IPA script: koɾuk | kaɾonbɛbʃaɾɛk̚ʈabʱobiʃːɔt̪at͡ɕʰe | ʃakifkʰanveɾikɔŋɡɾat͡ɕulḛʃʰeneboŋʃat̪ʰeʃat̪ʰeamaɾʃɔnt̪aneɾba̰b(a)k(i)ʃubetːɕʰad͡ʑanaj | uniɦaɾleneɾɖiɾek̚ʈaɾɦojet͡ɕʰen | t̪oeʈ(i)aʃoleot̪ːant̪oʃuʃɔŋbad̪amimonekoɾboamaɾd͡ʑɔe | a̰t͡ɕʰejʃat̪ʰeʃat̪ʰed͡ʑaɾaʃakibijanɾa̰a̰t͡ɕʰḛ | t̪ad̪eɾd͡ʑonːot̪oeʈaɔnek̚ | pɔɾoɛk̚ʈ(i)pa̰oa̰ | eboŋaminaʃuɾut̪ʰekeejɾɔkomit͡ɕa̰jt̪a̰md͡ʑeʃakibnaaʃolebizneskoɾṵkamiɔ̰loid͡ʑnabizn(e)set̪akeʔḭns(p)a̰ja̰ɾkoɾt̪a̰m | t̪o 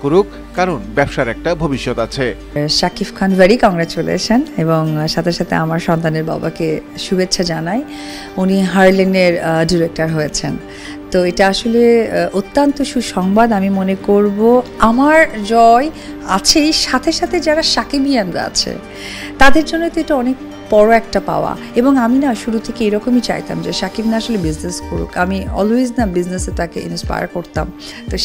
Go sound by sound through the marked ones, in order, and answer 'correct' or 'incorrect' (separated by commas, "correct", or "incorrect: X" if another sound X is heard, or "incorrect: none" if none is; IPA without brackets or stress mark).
correct, incorrect: e, incorrect: a, incorrect: a, correct, correct